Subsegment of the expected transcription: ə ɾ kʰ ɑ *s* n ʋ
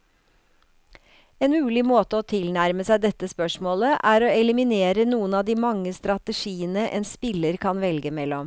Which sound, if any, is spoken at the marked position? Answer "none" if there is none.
none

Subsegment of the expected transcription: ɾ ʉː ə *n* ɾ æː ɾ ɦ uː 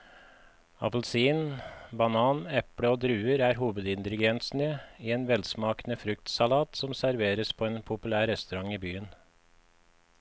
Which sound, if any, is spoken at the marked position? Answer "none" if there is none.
none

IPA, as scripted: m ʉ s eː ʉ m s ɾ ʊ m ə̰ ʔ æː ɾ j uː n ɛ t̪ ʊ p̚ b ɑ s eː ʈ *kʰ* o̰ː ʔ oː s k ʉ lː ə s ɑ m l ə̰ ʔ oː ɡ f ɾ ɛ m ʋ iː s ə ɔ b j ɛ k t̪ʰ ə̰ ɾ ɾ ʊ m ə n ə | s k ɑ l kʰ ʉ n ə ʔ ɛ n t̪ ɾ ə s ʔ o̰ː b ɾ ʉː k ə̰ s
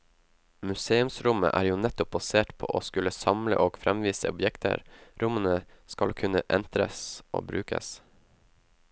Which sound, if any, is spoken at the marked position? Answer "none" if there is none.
pʰ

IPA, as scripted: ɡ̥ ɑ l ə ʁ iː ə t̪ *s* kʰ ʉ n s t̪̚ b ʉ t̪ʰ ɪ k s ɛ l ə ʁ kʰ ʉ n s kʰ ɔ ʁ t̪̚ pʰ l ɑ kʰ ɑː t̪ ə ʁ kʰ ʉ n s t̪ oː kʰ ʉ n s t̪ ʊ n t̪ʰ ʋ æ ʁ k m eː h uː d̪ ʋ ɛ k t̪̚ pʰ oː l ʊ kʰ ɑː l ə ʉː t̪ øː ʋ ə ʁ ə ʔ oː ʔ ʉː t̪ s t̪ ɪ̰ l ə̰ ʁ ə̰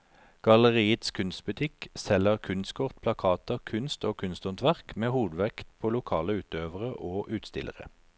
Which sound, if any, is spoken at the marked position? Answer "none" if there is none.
s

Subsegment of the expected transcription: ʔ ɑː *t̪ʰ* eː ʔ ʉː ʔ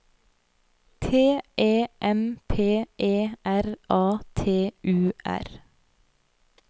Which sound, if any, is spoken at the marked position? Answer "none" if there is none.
t̪ʰ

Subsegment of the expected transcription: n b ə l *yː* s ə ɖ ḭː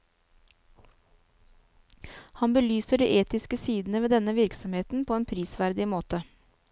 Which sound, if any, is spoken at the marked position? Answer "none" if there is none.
yː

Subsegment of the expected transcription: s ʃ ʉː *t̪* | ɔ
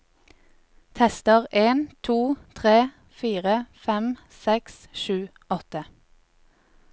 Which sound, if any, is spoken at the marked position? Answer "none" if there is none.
none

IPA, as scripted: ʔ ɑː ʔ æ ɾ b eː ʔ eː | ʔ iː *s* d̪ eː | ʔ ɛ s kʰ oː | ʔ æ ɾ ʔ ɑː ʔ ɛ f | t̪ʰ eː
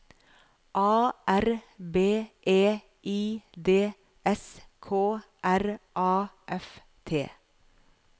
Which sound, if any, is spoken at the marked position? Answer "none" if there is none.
none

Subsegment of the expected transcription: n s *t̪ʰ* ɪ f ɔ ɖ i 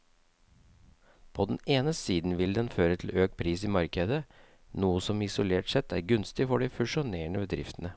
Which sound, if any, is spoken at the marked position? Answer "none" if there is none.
t̪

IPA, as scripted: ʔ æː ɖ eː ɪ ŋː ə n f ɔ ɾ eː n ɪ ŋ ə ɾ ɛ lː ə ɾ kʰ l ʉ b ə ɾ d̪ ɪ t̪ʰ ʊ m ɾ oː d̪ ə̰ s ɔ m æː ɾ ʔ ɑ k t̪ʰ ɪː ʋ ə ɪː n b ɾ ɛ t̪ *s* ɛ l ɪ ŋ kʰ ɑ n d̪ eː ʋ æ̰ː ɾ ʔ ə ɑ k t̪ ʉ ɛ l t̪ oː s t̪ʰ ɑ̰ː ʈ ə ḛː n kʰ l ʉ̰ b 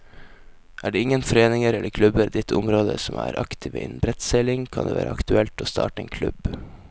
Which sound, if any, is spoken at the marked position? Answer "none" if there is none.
s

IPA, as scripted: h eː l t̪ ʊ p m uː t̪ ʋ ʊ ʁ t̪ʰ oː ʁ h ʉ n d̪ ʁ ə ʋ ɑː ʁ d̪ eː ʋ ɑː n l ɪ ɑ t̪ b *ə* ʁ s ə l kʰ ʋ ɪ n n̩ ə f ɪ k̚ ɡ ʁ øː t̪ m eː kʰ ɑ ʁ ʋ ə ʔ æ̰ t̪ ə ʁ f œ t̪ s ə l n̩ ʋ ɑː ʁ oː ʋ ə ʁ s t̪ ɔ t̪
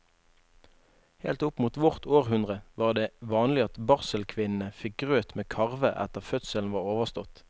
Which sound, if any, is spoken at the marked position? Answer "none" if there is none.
ɑ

